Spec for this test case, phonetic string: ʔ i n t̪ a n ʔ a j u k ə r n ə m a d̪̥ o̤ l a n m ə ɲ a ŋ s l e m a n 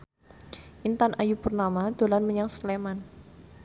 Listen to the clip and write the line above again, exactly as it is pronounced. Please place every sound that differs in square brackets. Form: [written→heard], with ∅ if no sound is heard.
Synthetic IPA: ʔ i n t̪ a n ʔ a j u [k→p] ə r n [ə→a] m a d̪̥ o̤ l a n m ə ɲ a ŋ s l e m a n